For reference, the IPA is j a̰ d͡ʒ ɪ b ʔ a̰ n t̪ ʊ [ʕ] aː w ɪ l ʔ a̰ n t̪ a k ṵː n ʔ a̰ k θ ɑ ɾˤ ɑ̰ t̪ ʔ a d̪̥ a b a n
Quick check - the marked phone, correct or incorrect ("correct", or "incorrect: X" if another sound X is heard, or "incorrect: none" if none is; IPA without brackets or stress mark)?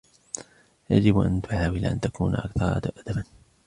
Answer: correct